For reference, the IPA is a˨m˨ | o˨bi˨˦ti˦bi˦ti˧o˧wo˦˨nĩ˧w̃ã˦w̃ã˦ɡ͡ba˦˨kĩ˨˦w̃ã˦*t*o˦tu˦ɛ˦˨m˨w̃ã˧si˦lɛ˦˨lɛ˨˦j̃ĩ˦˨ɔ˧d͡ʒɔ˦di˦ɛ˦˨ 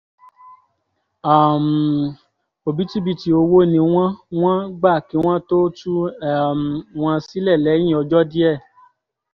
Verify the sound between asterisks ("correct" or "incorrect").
correct